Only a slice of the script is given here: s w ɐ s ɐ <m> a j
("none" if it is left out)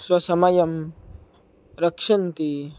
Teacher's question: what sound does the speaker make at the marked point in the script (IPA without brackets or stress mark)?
m